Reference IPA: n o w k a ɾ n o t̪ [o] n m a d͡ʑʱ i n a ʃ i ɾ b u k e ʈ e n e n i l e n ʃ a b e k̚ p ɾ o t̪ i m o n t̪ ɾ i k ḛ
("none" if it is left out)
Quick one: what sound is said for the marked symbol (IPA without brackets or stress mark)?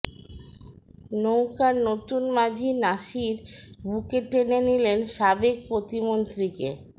u